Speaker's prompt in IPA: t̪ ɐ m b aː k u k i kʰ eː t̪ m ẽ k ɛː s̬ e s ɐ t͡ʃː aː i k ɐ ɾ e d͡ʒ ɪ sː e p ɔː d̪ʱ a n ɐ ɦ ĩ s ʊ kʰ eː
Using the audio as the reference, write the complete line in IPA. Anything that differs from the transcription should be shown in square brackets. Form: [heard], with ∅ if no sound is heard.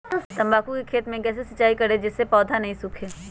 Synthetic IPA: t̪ ɐ m b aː k u k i kʰ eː t̪ m ẽ k ɛː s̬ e s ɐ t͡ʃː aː i k ɐ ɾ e d͡ʒ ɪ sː e p ɔː d̪ʱ a n ɐ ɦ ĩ s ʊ kʰ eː